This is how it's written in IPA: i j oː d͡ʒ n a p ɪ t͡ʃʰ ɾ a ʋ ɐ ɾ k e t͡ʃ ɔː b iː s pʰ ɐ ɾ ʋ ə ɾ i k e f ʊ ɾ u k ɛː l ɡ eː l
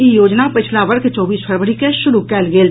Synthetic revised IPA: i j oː d͡ʒ n a p ɪ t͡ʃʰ l a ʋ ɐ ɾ k e t͡ʃ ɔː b iː s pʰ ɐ ɾ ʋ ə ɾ i k e ʃ ʊ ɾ u k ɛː l ɡ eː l